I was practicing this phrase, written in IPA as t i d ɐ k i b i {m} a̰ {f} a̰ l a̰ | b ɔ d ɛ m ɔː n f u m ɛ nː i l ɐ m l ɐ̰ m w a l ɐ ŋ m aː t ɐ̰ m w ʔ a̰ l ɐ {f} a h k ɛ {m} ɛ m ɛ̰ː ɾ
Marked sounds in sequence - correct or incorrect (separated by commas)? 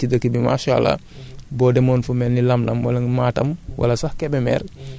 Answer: correct, incorrect, incorrect, incorrect